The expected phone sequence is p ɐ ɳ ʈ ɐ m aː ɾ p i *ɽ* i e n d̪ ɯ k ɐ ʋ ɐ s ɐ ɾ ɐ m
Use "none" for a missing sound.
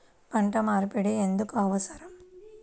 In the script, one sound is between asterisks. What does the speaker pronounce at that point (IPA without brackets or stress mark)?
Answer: ɽ